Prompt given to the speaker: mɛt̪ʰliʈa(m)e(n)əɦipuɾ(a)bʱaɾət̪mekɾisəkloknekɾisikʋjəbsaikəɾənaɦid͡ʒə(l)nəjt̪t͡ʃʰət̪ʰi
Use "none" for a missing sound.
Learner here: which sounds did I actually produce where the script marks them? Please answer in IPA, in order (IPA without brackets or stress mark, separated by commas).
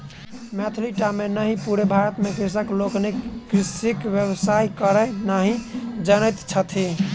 m, n, e, none